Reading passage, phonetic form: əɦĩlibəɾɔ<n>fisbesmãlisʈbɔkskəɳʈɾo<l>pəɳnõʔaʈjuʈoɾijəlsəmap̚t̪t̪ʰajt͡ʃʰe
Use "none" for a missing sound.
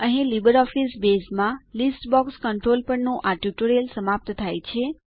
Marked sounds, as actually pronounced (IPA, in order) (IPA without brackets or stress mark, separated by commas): none, l